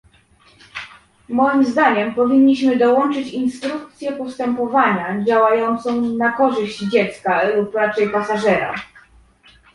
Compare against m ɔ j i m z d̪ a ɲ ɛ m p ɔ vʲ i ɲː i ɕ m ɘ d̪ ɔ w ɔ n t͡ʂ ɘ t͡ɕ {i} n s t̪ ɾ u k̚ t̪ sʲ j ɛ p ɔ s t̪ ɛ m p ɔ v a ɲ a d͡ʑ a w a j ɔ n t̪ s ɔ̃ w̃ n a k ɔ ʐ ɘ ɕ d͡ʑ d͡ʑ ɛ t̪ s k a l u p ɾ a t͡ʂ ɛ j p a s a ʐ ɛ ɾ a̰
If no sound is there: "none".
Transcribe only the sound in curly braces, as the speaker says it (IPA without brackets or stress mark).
i